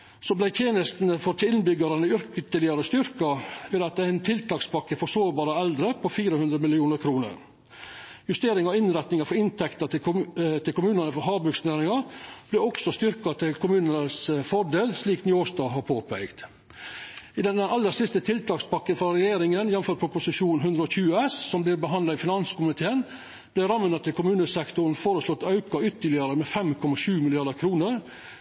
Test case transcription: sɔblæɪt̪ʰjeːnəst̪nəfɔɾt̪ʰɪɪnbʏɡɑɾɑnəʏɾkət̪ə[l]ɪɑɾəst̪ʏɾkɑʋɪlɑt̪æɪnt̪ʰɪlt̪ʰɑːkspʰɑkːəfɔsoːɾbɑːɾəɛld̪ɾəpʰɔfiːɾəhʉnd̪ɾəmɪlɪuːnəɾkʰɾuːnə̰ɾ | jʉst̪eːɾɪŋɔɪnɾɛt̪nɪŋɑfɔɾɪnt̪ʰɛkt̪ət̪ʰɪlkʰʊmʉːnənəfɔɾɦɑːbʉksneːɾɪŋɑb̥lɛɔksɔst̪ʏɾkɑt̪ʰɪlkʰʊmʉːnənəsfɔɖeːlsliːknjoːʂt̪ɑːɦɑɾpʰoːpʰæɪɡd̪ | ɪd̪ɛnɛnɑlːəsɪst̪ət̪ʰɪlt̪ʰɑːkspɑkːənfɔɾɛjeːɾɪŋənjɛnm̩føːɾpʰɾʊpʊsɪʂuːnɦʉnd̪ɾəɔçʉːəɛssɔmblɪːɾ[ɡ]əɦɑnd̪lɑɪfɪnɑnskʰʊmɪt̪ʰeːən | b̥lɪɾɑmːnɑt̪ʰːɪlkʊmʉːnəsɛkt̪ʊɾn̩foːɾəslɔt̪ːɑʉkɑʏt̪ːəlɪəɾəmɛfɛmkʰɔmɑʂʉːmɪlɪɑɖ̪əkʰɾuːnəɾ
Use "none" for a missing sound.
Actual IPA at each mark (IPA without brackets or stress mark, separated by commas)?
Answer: l, b